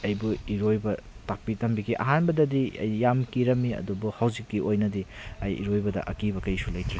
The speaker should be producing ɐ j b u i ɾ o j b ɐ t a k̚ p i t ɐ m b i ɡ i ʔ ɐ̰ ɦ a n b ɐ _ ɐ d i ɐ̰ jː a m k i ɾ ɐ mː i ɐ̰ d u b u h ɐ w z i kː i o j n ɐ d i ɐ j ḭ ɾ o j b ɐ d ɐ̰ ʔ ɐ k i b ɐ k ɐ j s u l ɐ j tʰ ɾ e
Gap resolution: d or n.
d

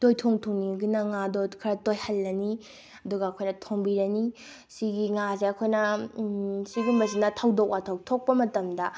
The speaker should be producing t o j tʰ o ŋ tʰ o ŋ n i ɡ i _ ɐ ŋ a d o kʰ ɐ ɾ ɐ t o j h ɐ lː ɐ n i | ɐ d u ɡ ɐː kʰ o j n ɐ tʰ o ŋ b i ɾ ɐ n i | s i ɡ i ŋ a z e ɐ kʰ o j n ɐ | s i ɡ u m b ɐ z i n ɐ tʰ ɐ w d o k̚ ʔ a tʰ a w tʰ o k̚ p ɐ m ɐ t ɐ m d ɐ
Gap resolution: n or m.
n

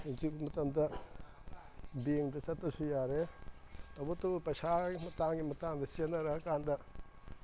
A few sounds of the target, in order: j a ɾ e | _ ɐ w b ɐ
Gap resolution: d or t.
t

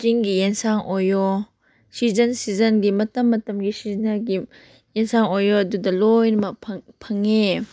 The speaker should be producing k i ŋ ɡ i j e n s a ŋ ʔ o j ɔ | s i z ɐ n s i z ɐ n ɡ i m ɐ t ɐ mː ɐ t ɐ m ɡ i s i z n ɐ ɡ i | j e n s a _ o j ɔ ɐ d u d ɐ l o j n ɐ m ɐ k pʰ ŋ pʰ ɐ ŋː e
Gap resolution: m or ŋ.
ŋ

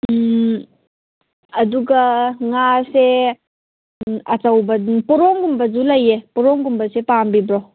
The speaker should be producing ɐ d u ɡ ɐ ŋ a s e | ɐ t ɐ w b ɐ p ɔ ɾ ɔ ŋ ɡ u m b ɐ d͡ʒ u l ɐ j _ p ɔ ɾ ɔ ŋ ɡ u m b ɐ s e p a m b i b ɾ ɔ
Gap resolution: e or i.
e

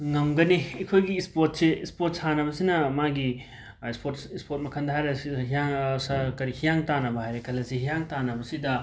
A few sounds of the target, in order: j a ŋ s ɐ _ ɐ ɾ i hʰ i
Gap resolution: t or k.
k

